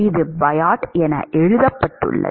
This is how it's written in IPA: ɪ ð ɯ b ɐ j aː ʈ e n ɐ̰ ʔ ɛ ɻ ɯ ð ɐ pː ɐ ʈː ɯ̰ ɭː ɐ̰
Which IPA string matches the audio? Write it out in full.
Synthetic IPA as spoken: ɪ ð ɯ b ɐ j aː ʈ ɛ n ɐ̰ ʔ ɛ ɻ ɯ ð ɐ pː ɐ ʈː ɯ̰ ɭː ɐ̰